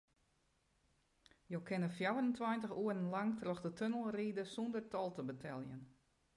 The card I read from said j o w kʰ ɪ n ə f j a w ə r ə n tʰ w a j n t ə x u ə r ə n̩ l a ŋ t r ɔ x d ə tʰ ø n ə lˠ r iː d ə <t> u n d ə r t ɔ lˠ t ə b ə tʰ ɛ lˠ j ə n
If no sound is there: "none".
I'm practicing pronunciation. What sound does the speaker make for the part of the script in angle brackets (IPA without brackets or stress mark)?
s